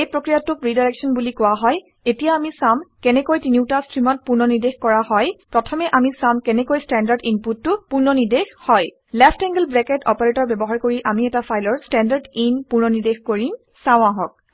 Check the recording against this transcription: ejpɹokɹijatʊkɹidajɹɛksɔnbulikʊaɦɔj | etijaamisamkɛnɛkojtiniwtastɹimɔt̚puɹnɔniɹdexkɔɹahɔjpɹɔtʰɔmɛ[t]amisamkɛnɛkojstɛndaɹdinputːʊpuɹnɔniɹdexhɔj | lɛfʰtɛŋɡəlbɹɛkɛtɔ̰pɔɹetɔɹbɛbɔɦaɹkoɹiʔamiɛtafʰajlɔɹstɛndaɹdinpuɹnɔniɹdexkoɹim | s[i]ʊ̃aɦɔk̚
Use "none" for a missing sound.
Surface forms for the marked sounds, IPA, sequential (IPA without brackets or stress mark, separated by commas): ʔ, a